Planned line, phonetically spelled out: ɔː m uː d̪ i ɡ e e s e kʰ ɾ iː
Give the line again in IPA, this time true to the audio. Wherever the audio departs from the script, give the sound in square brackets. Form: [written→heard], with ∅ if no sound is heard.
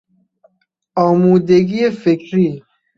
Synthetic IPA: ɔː m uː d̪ [i→e] ɡ [e→i] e [s→f] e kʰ ɾ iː